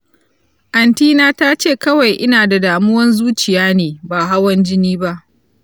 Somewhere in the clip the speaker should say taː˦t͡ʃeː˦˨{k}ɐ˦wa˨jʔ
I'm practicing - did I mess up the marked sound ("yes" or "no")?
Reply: no